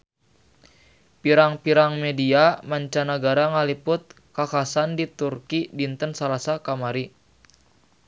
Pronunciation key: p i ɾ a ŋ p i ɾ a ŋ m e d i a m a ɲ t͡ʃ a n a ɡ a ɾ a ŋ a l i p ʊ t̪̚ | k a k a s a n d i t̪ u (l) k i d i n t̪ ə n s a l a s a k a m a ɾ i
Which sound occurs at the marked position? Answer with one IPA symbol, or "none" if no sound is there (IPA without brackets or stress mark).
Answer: r